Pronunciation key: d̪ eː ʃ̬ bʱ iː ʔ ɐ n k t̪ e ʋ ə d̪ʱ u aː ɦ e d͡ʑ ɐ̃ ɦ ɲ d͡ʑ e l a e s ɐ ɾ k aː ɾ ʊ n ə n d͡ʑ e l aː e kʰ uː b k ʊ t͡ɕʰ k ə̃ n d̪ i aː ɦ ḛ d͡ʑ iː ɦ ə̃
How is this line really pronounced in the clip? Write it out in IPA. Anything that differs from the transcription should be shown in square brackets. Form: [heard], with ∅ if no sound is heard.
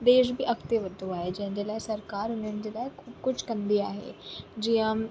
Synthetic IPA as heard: d̪ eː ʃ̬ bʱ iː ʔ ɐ [∅] k t̪ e ʋ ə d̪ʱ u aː ɦ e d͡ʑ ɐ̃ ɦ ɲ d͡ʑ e l a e s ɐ ɾ k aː ɾ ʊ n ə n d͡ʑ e l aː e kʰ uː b k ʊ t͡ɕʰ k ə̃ n d̪ i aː ɦ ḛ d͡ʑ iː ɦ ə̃